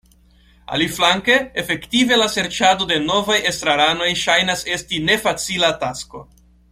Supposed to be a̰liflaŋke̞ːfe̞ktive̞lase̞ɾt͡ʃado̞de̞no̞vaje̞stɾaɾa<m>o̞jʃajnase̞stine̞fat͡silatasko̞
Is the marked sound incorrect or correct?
incorrect